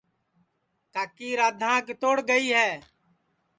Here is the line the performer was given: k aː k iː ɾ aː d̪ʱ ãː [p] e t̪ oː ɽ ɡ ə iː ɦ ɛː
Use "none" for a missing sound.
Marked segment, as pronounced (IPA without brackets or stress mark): k